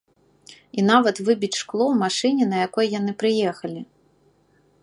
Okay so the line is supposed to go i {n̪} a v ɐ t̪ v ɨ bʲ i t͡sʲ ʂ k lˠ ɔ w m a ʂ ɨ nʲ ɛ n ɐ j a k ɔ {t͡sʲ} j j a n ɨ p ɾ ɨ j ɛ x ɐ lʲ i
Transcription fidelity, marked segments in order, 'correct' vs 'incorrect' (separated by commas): correct, incorrect